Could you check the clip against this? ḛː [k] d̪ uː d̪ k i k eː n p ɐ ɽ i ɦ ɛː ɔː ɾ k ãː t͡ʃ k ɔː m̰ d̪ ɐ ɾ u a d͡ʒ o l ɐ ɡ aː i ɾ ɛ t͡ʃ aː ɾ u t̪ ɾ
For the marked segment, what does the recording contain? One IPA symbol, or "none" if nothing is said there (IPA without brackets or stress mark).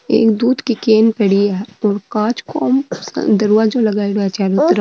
k